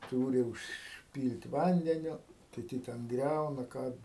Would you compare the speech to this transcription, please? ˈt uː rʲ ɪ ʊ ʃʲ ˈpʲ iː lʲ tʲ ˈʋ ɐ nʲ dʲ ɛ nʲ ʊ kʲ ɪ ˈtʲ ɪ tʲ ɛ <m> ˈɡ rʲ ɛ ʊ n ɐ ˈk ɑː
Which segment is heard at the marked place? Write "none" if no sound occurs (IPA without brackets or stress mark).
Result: n